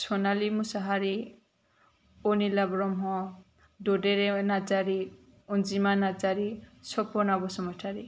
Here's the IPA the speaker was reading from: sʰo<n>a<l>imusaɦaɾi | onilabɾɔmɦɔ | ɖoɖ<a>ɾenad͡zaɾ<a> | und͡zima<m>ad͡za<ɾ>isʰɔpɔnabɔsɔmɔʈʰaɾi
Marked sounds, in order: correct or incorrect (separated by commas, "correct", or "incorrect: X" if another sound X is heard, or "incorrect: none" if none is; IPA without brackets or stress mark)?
correct, correct, incorrect: e, incorrect: i, incorrect: n, correct